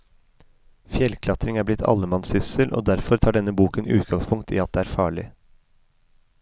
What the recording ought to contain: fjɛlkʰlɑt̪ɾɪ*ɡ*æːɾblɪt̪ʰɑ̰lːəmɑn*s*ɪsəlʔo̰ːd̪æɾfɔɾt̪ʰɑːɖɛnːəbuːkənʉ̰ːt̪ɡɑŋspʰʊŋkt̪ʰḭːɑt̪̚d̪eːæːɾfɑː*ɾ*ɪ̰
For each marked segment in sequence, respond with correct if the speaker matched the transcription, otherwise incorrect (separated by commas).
incorrect, correct, incorrect